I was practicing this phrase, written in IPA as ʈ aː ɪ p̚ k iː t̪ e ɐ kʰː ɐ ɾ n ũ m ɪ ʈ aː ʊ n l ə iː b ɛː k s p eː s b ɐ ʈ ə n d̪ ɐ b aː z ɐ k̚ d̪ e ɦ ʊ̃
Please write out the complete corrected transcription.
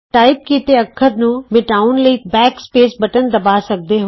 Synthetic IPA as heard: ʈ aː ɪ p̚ k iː t̪ e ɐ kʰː ə ɾ n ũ m ɪ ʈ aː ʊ n l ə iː b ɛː k s p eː s b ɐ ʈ ə n d̪ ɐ b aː s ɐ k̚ d̪ e ɦ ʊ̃